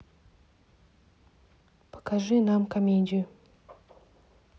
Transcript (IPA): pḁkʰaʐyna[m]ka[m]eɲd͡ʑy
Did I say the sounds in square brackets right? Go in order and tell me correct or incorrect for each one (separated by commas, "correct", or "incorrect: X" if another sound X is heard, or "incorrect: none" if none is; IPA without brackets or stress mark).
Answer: correct, correct